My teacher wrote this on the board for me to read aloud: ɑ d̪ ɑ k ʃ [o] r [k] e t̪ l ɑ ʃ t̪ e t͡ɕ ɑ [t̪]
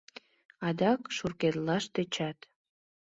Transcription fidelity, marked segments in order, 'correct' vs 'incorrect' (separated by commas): incorrect, correct, correct